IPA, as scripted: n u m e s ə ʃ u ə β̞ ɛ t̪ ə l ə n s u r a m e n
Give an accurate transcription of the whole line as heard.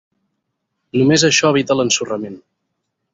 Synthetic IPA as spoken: n u m e z ə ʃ ɔ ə β̞ i t̪ ə l ə n s u r ə m e n